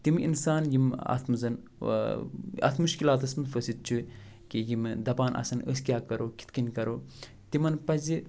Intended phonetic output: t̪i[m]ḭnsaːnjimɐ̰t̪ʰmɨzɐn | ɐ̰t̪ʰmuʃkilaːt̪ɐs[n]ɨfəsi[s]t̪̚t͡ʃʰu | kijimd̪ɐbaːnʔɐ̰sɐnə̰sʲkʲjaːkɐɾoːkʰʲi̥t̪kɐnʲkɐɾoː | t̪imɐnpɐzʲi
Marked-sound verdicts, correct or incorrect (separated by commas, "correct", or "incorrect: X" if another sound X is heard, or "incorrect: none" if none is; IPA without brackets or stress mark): correct, incorrect: m, incorrect: none